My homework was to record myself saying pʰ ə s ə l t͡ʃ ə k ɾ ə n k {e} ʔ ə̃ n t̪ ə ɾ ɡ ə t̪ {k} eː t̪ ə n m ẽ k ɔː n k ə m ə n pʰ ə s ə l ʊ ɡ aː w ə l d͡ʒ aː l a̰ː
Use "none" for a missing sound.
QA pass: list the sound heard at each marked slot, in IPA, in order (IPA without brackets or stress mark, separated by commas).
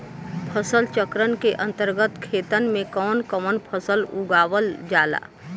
e, kʰ